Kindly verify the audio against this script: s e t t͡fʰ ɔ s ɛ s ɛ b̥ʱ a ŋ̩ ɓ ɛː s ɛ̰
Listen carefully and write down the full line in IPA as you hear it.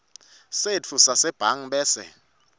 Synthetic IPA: s e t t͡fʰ u s a s ɛ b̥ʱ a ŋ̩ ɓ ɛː s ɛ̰